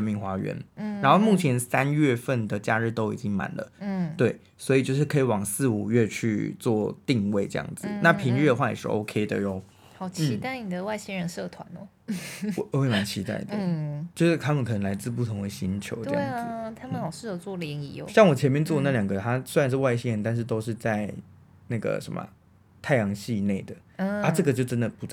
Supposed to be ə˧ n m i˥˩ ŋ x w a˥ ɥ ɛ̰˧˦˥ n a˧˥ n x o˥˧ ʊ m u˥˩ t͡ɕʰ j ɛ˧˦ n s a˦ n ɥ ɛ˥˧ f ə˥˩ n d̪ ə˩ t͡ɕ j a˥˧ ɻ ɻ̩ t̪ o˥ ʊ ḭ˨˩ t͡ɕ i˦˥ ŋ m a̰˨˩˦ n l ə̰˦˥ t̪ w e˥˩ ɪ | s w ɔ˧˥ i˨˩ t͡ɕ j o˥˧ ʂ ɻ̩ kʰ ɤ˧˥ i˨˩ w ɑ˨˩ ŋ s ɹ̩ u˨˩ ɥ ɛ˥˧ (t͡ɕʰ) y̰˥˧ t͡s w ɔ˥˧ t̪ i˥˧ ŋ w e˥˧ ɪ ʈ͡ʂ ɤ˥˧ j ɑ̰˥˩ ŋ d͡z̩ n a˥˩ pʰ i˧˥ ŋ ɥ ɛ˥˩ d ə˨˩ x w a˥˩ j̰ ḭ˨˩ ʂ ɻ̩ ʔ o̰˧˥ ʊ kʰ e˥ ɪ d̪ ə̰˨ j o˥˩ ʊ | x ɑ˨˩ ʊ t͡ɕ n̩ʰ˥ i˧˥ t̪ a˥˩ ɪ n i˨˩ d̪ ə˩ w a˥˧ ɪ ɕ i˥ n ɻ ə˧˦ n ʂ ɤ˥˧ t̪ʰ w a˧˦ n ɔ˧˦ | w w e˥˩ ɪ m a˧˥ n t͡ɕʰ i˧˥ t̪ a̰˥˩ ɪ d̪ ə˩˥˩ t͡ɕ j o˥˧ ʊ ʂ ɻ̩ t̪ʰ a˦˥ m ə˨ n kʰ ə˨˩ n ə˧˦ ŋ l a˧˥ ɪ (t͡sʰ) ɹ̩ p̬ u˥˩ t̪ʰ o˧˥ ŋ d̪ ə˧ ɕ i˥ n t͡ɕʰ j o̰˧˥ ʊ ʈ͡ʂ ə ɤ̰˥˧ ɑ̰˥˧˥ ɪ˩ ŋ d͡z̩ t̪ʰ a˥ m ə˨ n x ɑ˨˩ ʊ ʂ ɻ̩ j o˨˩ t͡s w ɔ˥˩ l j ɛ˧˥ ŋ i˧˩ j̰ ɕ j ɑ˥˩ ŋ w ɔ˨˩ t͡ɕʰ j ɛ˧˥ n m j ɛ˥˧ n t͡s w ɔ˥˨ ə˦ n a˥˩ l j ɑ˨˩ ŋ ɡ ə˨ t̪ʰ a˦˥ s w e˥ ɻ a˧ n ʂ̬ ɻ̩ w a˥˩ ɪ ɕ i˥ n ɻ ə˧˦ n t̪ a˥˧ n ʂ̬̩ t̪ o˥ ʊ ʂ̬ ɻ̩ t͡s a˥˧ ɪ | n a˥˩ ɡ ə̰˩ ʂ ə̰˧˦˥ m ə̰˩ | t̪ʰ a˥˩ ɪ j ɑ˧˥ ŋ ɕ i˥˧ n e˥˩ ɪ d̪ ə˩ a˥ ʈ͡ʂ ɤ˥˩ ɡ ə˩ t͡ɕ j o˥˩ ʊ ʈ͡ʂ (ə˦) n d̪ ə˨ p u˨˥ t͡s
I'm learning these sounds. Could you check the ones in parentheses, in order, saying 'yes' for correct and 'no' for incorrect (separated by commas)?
yes, no, yes